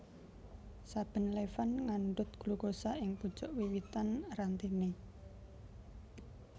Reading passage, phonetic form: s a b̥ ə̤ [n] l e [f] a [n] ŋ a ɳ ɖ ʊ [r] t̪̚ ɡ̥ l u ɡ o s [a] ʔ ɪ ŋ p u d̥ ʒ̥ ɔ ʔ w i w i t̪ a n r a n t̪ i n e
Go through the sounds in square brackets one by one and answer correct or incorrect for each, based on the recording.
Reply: correct, correct, correct, incorrect: none, correct

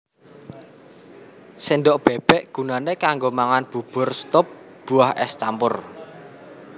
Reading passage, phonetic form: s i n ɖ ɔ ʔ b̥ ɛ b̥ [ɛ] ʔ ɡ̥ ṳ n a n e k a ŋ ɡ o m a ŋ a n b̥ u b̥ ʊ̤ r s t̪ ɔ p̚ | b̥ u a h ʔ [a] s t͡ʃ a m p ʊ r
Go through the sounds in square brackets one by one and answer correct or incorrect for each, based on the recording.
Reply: correct, incorrect: ɛ

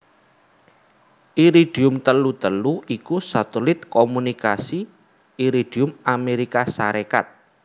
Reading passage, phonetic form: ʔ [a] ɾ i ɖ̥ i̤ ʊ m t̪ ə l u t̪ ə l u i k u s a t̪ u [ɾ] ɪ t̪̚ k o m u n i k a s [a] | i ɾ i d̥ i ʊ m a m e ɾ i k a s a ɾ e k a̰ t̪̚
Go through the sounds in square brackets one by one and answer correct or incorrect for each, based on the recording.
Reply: incorrect: i, incorrect: l, incorrect: i

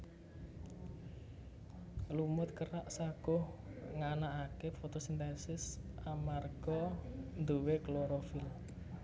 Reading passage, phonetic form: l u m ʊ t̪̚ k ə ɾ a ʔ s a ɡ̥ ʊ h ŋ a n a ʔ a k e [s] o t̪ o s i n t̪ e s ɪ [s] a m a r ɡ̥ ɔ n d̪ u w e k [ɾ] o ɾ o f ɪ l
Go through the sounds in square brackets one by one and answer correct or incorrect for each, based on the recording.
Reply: incorrect: f, correct, incorrect: l

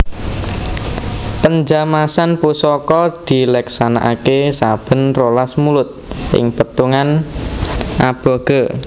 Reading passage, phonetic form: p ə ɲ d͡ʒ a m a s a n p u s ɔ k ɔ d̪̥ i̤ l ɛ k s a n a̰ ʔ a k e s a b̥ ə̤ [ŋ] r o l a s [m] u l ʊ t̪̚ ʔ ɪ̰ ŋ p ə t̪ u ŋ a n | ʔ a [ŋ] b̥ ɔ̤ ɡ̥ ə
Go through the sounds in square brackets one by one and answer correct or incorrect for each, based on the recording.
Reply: incorrect: n, correct, incorrect: none

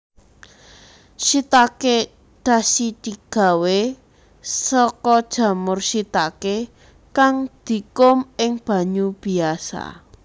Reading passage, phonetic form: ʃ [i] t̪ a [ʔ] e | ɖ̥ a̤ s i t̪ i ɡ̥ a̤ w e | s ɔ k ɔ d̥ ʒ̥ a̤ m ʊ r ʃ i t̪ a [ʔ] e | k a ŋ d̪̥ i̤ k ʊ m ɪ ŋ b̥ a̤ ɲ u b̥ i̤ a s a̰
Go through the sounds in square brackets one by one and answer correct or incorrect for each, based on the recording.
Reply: correct, incorrect: k, incorrect: k

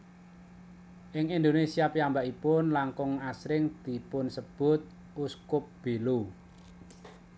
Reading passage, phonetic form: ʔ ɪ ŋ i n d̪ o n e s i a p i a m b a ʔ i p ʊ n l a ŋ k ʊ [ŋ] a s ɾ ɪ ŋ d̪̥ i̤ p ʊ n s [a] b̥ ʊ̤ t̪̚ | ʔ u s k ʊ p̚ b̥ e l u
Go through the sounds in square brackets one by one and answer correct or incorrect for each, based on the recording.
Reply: correct, incorrect: ə

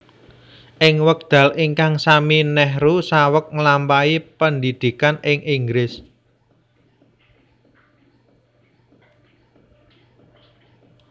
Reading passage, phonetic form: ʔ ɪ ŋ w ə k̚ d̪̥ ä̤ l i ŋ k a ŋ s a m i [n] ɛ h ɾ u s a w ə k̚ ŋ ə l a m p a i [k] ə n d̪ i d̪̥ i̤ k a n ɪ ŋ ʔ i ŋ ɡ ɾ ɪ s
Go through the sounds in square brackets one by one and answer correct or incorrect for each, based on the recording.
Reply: correct, incorrect: p

